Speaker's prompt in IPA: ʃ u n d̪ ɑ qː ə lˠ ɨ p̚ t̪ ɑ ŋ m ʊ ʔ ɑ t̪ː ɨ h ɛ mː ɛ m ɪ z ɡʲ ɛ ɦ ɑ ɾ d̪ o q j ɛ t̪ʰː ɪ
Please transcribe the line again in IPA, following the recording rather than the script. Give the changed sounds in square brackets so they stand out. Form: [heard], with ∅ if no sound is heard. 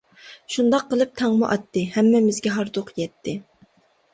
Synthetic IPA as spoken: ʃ u n d̪ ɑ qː ə lˠ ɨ p̚ [t̪ʰ] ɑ ŋ m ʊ ʔ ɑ t̪ː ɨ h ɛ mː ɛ m ɪ z ɡʲ ɛ ɦ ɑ ɾ d̪ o q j ɛ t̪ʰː ɪ